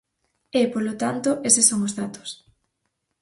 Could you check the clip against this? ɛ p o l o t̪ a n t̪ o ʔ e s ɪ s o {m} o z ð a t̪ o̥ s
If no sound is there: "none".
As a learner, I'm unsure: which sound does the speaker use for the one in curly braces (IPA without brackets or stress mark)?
ŋ